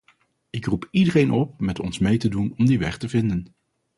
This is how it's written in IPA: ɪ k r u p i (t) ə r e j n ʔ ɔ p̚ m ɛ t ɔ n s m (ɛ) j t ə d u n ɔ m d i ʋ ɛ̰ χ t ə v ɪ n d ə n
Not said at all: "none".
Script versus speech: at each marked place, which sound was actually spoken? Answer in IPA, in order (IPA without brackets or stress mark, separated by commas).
d, e